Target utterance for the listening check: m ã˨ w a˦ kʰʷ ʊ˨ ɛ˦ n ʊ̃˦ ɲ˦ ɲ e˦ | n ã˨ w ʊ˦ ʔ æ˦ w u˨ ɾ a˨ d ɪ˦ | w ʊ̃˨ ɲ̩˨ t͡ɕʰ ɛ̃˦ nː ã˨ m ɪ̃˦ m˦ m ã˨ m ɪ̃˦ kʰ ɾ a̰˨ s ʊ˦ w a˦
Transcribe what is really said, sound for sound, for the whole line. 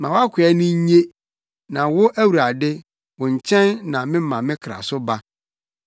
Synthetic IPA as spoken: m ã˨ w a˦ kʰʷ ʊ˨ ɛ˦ n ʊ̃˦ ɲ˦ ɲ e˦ | n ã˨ w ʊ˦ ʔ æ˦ w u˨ ɾ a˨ d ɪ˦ | w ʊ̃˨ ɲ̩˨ t͡ɕʰ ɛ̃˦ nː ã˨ m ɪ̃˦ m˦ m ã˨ m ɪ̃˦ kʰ ɾ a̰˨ s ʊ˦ b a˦